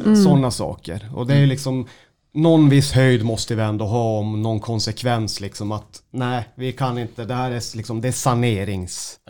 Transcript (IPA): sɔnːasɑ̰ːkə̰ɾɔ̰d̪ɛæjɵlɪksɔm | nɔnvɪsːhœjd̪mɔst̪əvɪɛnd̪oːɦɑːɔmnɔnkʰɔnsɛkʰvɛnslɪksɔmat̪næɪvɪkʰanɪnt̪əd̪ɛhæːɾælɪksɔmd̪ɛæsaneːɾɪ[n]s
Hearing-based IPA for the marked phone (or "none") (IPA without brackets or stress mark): ŋ